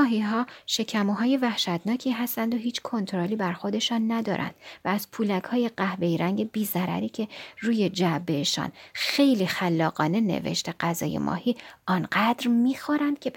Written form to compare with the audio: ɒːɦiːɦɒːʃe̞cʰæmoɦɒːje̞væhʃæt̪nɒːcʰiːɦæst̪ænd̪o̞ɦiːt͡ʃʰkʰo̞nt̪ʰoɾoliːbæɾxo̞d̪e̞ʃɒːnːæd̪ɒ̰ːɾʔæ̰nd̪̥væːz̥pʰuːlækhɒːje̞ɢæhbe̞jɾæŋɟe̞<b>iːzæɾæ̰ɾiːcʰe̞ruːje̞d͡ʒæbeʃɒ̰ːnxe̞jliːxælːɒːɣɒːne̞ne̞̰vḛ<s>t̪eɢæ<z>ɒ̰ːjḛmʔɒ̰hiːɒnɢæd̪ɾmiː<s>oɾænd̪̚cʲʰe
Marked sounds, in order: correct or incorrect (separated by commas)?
correct, incorrect, correct, incorrect